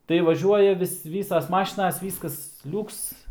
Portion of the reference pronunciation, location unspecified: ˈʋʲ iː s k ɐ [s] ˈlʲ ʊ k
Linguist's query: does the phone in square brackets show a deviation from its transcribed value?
no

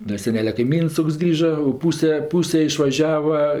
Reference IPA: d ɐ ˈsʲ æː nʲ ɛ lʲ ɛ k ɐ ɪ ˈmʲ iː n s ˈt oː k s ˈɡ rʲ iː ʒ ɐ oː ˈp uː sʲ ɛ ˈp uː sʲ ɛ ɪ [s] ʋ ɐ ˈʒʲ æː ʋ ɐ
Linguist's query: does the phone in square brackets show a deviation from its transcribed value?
yes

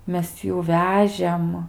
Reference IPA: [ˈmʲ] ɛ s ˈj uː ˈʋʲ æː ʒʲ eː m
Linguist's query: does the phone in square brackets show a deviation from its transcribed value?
no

